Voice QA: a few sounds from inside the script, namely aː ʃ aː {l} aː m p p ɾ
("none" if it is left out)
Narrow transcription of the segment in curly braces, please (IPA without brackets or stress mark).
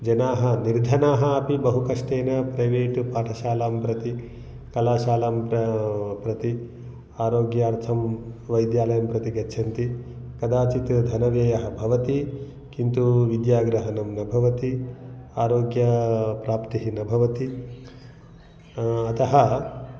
l